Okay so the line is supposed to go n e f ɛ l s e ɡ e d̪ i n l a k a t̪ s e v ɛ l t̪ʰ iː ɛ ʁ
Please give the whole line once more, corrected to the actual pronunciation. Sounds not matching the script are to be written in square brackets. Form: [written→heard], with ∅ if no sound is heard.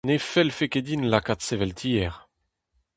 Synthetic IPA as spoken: n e f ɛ l [s→f] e [ɡ→k] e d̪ i n l a k a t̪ s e v ɛ l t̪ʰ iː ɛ ʁ